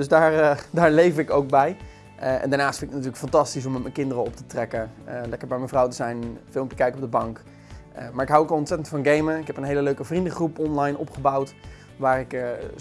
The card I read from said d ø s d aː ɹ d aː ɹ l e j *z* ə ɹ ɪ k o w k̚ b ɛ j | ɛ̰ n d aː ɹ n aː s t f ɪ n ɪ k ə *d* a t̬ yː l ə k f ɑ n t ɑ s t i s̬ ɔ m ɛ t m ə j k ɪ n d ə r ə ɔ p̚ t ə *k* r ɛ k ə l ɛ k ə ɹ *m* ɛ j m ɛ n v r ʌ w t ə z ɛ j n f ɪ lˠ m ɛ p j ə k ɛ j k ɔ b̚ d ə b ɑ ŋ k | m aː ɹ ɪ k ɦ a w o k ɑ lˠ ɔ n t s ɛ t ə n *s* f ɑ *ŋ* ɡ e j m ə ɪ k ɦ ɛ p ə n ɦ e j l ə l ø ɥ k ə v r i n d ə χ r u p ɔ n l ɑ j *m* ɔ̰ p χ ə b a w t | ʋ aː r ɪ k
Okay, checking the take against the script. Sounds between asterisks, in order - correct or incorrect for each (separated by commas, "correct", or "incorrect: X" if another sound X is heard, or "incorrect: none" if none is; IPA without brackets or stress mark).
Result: incorrect: v, incorrect: n, incorrect: t, incorrect: b, incorrect: t, incorrect: n, incorrect: n